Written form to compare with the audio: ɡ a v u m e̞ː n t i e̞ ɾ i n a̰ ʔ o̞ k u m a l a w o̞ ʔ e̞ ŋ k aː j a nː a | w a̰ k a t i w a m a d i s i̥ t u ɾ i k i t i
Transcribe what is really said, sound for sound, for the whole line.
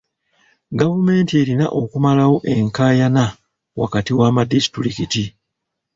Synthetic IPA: ɡ a v u m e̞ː n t i e̞ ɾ i n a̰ ʔ o̞ k u m a l a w o̞ ʔ e̞ ŋ k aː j a n a | w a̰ k a t i w a m a d i s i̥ t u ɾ i k i t i